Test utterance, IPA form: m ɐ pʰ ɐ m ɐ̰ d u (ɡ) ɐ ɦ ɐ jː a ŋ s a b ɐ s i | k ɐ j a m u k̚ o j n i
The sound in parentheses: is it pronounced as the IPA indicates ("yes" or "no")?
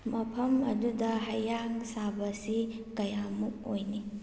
no